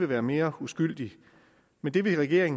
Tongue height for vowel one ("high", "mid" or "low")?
mid